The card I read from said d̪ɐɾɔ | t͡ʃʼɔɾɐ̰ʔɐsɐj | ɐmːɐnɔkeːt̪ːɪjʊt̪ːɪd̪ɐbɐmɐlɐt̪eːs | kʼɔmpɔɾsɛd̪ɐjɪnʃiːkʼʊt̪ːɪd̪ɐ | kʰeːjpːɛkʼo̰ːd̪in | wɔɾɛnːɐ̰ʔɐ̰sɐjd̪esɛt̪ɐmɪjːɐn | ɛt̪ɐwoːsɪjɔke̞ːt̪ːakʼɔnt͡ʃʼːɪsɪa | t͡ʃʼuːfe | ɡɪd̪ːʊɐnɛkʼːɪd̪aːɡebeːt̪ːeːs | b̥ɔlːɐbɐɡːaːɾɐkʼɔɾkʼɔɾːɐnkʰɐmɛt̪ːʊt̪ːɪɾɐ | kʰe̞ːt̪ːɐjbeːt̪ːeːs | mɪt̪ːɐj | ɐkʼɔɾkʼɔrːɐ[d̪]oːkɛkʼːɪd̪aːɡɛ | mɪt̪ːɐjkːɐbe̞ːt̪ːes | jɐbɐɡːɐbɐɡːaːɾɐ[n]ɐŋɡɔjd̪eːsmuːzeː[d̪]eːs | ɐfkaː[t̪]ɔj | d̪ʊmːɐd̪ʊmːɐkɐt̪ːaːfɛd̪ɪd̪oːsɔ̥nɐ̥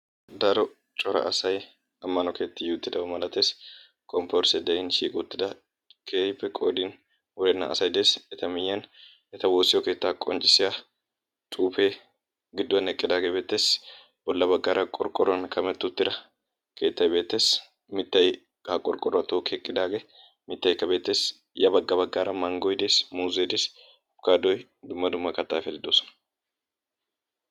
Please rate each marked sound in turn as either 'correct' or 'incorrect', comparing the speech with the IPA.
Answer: incorrect: t̪, incorrect: m, correct, incorrect: d̪

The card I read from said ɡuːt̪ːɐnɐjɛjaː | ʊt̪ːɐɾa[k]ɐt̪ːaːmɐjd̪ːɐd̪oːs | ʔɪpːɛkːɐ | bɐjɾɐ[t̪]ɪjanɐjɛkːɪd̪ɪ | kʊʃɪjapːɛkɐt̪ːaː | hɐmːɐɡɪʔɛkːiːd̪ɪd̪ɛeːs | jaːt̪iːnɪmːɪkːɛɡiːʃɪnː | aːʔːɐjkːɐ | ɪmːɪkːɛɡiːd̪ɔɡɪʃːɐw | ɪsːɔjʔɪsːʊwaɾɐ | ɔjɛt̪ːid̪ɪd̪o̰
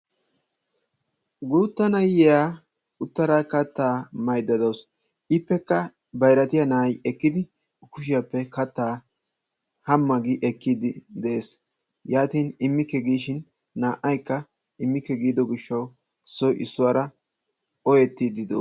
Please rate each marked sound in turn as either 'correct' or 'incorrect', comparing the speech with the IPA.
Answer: correct, correct

